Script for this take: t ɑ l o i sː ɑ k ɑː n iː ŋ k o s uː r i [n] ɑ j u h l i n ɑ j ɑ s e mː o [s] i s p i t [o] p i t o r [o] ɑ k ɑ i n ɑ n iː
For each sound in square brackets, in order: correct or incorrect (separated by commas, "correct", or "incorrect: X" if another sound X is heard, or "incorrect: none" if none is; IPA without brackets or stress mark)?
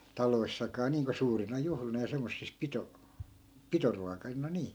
correct, incorrect: sː, correct, incorrect: u